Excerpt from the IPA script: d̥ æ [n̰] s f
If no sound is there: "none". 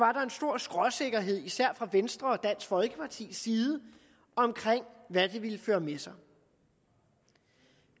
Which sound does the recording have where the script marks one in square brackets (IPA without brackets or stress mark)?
n̰